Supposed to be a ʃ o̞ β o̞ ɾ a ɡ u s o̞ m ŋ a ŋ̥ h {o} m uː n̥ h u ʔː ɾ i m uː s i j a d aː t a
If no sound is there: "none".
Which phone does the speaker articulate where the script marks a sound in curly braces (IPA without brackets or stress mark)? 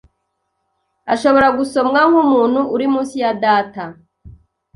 u